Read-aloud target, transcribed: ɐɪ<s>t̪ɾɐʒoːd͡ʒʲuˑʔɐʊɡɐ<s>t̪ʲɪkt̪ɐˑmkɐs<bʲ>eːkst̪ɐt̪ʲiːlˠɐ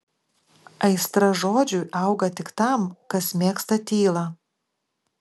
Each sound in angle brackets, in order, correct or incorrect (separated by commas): correct, incorrect, incorrect